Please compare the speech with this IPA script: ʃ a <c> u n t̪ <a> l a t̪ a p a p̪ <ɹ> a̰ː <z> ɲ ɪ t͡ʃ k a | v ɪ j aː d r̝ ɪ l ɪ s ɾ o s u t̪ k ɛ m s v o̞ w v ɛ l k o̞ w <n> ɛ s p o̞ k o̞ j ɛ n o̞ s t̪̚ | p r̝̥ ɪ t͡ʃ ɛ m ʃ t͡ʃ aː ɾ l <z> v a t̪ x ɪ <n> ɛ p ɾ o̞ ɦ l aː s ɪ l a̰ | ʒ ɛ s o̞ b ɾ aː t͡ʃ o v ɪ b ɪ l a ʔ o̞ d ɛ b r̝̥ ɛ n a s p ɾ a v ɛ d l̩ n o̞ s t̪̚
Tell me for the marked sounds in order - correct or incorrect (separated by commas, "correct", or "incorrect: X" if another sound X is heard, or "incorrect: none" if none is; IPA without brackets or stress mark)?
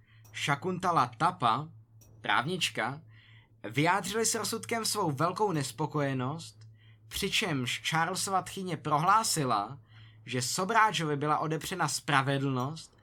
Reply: incorrect: k, correct, incorrect: ɾ, incorrect: v, correct, incorrect: s, incorrect: ɲ